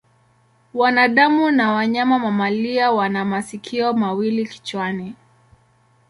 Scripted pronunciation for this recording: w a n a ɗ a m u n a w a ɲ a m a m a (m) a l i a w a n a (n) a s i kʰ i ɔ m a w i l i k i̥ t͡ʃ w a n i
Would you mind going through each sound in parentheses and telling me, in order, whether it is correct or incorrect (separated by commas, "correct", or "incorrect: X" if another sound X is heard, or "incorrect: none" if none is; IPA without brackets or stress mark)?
correct, incorrect: m